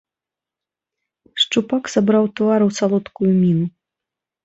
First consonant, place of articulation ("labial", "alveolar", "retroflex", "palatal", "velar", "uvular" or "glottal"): retroflex